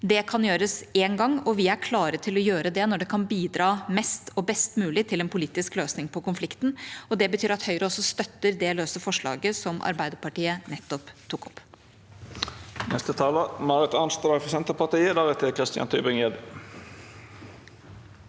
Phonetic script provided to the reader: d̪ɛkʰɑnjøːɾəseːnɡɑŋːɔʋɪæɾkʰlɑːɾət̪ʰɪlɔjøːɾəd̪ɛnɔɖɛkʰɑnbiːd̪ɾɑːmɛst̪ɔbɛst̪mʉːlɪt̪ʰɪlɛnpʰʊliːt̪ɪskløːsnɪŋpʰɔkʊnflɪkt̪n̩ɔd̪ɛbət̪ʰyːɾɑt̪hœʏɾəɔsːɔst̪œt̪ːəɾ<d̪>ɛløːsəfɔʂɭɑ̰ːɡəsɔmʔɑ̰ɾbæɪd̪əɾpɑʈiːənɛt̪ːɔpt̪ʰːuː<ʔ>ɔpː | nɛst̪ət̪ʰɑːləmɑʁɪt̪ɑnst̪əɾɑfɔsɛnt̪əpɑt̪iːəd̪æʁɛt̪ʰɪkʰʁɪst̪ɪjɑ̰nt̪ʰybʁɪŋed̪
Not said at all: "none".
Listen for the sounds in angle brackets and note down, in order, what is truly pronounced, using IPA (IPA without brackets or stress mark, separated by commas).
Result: d̪, k